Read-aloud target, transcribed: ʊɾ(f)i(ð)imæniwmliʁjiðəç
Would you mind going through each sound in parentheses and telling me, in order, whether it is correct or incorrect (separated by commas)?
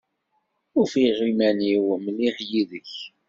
correct, incorrect